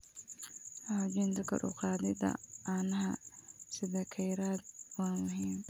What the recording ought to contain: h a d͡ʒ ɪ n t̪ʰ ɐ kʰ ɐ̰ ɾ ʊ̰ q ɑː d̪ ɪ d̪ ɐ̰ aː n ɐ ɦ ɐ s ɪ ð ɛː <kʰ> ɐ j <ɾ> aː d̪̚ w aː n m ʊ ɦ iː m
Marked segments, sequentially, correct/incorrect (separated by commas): correct, correct